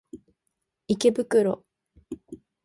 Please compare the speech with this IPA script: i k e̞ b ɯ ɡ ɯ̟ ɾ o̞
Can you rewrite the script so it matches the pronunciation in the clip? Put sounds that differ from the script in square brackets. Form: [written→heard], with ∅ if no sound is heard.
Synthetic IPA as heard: i k e̞ b ɯ [ɡ→k] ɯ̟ ɾ o̞